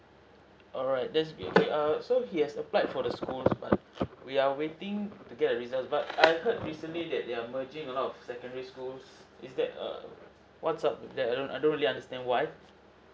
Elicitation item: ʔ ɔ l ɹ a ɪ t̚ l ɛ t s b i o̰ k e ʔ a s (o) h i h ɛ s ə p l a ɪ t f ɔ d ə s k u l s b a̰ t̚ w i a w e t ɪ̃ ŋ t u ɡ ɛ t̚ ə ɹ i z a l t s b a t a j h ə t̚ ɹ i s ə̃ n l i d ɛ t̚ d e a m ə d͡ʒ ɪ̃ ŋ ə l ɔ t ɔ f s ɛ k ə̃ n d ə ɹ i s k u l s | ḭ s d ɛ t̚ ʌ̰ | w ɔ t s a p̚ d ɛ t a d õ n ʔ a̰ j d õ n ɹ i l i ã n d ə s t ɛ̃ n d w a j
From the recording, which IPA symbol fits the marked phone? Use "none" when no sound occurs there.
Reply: o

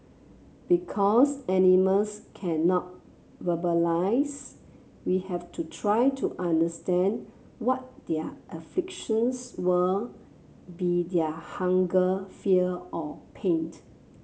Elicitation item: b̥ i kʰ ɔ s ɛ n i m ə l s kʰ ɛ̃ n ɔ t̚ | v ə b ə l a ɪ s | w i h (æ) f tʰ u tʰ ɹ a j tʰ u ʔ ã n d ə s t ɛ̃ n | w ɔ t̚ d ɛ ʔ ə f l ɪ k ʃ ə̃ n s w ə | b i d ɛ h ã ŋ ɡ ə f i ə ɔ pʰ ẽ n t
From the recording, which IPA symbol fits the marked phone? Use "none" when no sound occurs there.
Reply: ɛ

